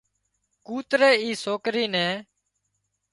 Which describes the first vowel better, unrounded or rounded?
rounded